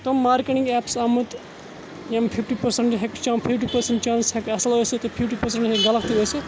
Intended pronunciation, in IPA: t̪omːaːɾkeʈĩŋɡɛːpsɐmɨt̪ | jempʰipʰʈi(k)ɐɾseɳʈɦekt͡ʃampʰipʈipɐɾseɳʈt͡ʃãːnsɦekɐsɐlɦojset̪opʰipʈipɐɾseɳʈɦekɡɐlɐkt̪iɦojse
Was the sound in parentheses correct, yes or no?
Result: no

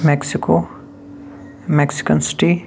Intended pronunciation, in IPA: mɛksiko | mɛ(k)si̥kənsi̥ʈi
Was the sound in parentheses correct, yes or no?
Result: yes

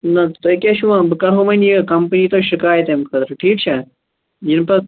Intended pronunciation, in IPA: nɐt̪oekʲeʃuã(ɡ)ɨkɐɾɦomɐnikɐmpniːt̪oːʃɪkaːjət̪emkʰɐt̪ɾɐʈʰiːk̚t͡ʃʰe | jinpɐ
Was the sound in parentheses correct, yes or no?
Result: no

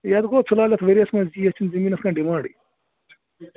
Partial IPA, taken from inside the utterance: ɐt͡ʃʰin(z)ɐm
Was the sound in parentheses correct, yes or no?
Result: yes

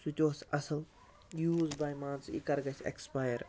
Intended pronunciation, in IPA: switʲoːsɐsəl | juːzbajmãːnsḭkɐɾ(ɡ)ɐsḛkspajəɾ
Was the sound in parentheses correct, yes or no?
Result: yes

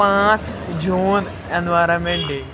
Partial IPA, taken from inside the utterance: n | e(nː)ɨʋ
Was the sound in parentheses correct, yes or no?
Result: yes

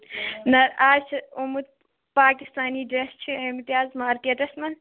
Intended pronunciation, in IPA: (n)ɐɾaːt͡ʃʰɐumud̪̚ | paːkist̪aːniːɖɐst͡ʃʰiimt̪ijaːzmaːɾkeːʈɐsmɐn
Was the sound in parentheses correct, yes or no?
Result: yes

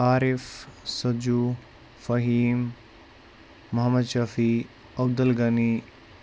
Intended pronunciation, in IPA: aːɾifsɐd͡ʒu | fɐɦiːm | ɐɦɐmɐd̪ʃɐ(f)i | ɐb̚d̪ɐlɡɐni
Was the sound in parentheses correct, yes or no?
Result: yes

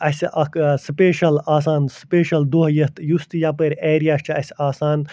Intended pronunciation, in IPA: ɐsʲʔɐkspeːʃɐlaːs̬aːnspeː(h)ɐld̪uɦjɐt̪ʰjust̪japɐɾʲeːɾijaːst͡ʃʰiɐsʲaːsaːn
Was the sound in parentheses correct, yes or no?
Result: no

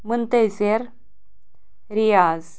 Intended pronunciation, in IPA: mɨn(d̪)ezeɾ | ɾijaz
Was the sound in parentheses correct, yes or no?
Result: no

